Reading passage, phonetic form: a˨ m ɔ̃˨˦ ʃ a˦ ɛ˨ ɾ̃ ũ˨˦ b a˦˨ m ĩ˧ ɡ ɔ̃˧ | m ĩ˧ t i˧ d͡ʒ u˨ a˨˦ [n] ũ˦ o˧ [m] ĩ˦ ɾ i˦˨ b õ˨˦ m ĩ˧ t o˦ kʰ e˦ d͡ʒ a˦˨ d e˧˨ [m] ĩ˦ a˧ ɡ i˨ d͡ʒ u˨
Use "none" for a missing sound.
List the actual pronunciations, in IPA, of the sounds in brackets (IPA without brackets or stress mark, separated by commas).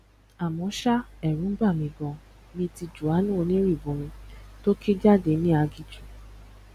n, n, n